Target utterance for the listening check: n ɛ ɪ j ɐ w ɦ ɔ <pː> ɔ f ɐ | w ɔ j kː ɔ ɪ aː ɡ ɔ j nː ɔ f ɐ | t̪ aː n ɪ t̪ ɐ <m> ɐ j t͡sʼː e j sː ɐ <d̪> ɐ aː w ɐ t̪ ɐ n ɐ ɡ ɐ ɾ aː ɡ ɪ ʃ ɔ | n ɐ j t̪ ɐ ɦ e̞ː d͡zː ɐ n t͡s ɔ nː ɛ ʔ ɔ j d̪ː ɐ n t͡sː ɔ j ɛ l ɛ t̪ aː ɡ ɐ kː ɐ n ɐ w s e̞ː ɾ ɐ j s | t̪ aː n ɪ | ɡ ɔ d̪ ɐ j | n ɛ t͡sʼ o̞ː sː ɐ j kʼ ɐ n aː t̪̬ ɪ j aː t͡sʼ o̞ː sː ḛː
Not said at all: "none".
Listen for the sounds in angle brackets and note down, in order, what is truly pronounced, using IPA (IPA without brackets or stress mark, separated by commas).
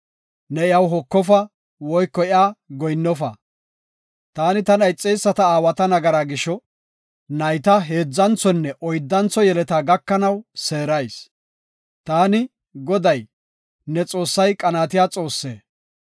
kː, n, t̪